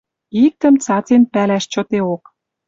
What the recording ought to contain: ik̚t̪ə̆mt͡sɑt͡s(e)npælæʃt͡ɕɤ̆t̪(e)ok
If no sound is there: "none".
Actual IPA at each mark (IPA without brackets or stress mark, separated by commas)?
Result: e, e